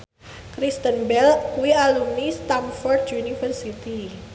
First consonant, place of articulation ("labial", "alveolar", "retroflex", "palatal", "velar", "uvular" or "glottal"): velar